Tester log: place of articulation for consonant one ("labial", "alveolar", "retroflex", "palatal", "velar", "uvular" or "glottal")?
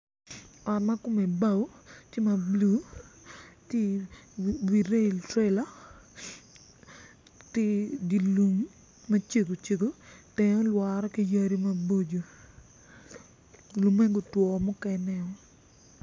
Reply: alveolar